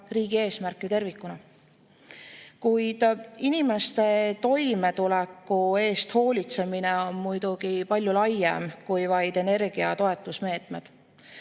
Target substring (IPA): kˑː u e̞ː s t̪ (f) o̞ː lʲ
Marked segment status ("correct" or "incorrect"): incorrect